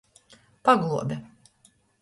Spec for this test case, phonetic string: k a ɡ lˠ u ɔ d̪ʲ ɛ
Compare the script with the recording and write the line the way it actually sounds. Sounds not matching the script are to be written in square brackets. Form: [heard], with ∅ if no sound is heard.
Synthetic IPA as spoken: [p] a ɡ lˠ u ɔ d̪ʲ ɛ